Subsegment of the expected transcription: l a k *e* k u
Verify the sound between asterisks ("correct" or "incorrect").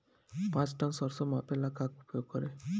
incorrect